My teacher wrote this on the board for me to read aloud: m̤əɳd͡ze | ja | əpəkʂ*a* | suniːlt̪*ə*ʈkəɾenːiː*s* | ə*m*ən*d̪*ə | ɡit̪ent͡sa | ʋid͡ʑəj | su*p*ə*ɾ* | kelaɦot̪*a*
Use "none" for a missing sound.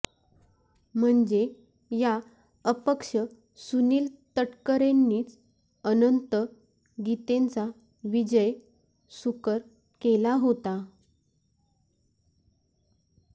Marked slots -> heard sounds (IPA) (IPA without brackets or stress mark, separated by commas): ə, ə, t͡s, n, t̪, k, ɾ, a